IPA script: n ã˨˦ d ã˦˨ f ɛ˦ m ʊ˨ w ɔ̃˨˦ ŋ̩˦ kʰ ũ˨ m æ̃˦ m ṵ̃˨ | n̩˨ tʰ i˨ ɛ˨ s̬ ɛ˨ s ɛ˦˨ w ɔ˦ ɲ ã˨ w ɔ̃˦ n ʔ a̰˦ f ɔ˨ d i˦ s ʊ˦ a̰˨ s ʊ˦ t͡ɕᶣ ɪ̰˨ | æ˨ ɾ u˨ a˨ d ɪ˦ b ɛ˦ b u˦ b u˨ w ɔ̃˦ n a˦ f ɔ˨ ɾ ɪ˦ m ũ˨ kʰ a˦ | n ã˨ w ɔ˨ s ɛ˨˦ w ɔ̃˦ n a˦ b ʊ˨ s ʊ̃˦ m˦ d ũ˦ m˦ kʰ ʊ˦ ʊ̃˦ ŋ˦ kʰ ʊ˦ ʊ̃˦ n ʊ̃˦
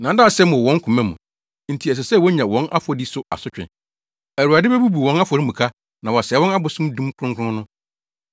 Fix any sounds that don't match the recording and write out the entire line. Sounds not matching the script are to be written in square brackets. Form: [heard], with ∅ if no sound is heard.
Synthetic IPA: n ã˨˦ d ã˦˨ [s] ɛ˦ m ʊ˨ w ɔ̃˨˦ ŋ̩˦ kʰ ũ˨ m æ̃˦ m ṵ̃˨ | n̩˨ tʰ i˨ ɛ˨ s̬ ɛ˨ s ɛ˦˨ w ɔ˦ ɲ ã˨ w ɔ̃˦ n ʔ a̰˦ f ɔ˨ d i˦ s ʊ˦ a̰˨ s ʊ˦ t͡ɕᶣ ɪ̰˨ | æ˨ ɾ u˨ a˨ d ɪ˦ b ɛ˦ b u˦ b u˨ w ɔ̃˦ n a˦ f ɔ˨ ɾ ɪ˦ m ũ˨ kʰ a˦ | n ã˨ w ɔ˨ s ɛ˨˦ w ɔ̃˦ n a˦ b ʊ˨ s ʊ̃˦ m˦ d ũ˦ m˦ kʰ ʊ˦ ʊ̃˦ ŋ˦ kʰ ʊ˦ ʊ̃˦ n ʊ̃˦